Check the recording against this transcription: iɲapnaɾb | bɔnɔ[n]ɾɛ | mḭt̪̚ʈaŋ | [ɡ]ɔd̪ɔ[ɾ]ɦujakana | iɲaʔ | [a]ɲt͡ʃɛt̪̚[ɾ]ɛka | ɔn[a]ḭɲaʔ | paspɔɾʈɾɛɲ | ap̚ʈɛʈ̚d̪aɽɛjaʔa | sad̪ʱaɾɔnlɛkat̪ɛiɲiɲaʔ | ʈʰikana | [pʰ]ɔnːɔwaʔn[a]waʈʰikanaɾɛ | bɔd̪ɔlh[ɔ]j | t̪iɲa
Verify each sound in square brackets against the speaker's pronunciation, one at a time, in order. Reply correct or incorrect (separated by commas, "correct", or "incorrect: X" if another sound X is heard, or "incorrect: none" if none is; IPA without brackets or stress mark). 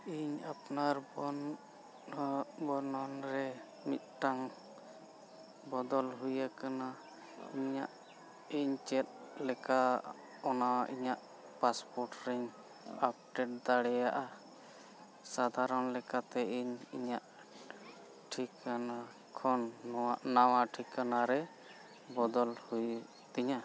correct, incorrect: b, incorrect: l, incorrect: i, incorrect: l, correct, incorrect: kʰ, correct, incorrect: u